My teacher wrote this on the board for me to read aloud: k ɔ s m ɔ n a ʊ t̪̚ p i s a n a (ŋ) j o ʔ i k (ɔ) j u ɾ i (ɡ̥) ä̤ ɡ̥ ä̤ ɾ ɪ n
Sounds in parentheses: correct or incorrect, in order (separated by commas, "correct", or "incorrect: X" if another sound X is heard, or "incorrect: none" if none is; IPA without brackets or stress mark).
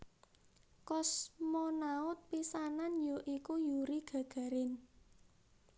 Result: incorrect: n, incorrect: u, correct